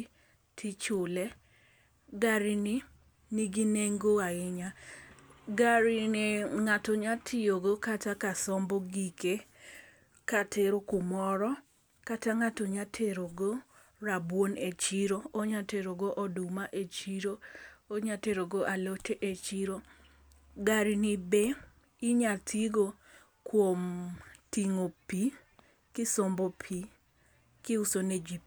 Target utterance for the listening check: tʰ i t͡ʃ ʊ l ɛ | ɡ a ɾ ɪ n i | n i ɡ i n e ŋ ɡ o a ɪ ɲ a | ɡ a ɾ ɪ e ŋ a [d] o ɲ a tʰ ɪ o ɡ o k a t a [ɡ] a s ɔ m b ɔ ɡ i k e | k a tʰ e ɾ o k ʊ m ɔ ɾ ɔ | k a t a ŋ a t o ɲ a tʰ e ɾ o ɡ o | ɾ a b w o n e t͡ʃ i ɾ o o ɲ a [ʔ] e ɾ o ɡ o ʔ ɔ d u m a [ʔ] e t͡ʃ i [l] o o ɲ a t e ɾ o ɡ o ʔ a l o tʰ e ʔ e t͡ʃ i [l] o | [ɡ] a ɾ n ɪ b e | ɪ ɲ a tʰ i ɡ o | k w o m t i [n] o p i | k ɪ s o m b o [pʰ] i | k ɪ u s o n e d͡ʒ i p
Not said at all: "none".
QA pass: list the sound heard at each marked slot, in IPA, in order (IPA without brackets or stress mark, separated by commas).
t, k, t, ʔ, ɾ, ɾ, ɡ, ŋ, pʰ